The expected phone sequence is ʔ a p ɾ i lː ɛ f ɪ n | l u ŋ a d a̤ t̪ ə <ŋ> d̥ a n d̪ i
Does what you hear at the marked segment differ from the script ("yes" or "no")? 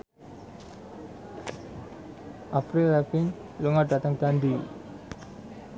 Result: no